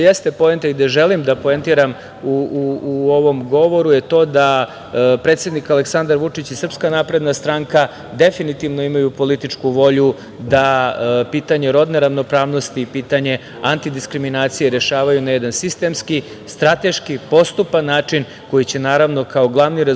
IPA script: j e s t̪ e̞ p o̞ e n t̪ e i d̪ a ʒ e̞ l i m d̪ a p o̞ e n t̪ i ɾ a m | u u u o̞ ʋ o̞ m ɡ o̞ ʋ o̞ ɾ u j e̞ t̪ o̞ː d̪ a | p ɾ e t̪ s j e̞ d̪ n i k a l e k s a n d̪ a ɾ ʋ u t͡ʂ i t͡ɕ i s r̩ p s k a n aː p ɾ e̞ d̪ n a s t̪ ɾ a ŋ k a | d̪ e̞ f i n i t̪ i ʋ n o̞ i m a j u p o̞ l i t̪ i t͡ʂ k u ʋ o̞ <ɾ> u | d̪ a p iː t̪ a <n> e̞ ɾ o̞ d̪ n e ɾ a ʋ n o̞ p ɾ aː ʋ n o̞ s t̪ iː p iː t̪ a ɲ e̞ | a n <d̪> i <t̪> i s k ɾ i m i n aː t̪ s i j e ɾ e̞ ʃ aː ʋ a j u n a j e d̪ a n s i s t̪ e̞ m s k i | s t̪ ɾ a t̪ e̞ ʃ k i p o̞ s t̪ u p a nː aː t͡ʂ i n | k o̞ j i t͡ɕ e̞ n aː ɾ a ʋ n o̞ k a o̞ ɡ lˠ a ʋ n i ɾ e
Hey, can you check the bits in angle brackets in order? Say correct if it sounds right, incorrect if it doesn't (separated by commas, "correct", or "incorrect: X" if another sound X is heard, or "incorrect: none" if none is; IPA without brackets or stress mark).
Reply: incorrect: ʎ, incorrect: ɲ, incorrect: t̪, incorrect: d̪